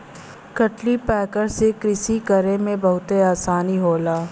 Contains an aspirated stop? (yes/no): no